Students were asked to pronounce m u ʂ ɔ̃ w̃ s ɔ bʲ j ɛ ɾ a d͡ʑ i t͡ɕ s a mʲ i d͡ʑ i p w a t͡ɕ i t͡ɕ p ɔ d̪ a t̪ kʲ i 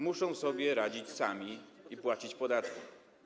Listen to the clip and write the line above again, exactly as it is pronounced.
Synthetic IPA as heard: m u ʂ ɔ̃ w̃ s ɔ bʲ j ɛ ɾ a d͡ʑ i t͡ɕ s a mʲ i i p w a t͡ɕ i t͡ɕ p ɔ d̪ a t̪ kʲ i